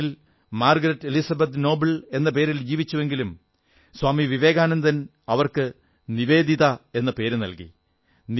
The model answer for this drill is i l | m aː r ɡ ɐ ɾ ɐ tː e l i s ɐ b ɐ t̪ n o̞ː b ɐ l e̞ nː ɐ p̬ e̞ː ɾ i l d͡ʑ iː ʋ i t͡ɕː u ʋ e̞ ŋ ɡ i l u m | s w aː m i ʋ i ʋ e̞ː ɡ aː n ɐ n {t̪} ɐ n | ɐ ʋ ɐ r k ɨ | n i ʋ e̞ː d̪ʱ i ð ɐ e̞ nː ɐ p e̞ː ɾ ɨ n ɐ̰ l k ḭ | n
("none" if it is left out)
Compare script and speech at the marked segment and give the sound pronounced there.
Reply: d̪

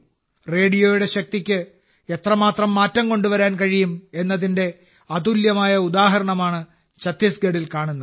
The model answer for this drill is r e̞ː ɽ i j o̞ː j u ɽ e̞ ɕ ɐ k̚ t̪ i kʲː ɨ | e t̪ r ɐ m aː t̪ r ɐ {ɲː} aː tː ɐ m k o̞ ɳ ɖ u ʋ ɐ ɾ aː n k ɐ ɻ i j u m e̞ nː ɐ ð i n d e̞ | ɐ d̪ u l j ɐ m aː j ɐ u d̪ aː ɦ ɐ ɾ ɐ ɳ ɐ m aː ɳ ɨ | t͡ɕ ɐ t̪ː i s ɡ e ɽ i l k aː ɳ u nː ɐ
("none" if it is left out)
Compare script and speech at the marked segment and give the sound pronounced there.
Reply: mː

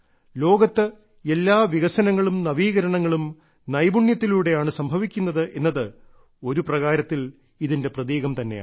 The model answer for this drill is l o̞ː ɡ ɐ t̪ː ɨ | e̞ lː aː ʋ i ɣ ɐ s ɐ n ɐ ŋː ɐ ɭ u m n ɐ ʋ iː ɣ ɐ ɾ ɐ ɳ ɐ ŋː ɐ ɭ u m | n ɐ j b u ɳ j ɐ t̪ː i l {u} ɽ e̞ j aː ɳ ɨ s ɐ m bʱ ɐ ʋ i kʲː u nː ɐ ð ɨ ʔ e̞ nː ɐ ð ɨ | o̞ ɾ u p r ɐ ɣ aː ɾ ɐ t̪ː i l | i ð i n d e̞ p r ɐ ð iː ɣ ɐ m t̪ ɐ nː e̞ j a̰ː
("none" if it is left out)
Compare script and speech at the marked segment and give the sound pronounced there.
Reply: uː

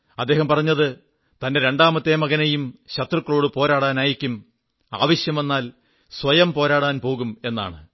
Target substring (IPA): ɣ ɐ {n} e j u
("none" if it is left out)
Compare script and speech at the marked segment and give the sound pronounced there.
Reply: n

